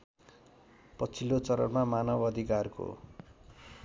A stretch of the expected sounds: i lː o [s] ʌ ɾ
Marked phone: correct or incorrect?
incorrect